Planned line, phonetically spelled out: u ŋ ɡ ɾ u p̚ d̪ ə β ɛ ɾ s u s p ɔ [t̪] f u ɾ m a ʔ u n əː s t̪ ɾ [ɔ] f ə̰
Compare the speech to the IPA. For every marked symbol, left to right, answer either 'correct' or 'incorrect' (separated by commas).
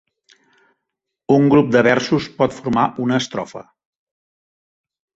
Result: correct, correct